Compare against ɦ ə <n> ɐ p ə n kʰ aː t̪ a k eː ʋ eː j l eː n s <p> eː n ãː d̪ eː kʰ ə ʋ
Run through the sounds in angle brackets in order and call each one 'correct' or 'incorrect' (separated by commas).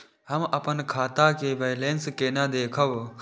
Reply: incorrect, incorrect